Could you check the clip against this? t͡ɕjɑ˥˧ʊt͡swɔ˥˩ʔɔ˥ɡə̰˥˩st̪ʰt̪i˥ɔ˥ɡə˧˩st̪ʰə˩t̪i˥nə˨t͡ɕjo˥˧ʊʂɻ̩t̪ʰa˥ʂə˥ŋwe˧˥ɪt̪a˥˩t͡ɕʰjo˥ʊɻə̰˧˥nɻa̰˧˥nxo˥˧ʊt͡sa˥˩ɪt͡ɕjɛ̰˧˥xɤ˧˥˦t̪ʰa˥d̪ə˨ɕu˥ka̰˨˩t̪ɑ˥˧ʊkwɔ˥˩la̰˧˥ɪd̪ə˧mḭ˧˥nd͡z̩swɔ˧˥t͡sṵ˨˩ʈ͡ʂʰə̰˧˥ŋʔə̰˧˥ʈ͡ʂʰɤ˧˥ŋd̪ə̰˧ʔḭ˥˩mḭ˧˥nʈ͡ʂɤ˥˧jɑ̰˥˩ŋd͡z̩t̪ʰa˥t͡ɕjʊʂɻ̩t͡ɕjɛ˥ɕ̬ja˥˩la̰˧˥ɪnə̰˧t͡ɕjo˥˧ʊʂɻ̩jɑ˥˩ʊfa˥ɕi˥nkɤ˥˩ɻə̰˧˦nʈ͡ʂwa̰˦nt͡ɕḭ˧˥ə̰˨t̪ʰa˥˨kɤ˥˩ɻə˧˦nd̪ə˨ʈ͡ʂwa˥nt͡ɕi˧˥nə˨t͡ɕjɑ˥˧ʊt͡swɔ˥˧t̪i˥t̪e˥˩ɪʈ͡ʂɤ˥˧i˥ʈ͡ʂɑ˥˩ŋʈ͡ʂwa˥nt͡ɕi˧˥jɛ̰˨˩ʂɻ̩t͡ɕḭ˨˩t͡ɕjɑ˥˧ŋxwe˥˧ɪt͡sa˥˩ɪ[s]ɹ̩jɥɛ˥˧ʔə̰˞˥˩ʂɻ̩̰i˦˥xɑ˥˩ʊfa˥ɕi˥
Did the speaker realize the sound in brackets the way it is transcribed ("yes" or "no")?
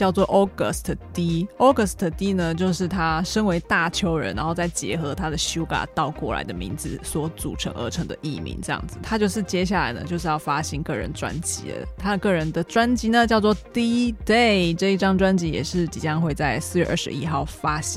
yes